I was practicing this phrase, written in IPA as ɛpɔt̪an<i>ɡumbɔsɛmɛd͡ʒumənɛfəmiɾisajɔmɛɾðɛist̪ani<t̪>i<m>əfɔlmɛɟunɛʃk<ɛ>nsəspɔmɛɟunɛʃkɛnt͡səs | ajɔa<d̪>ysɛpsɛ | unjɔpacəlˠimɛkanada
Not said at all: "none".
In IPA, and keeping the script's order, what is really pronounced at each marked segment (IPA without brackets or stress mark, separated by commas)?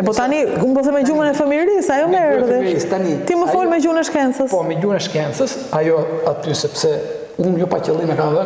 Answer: i, t̪, m, ɛ, t̪